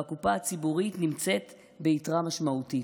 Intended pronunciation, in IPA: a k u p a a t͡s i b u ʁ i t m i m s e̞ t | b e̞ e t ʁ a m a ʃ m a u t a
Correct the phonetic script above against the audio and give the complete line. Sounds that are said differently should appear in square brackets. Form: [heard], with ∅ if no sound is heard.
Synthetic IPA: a k u p a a t͡s i b u ʁ i t [n] i m [t͡s] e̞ t | b e̞ [i] t ʁ a m a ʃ m a u t [i]